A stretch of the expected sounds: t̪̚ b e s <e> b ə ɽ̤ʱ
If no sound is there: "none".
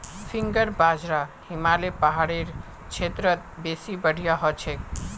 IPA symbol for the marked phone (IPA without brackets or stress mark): i